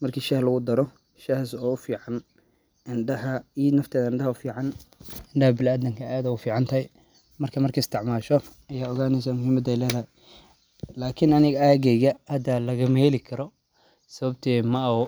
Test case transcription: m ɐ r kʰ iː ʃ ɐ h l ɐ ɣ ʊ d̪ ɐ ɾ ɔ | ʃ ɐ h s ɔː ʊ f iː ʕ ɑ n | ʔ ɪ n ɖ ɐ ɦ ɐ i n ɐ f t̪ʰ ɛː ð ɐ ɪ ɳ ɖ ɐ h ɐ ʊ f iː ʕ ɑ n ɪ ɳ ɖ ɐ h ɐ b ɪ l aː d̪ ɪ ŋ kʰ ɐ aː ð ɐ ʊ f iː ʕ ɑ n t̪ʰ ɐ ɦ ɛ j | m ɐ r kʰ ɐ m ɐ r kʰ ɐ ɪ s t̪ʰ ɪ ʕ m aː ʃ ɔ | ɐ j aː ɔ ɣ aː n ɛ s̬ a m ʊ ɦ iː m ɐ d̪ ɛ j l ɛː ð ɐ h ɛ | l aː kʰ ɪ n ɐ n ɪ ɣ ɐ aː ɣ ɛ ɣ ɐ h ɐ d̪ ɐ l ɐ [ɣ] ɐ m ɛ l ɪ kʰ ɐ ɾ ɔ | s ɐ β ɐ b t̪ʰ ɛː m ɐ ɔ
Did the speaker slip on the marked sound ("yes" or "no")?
no